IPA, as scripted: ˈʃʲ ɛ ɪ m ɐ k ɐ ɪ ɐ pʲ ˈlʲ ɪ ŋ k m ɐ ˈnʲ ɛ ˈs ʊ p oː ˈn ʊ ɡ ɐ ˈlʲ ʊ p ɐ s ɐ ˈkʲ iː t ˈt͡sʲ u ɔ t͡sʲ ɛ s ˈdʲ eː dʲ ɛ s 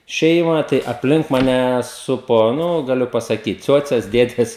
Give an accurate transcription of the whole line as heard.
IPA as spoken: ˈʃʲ ɛ ɪ m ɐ t ɐ ɪ ɐ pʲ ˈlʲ ɪ ŋ k m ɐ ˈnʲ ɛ ˈs ʊ p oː ˈn ʊ ɡ ɐ ˈlʲ ʊ p ɐ s ɐ ˈkʲ iː t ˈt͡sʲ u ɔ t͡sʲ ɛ s ˈdʲ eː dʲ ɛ s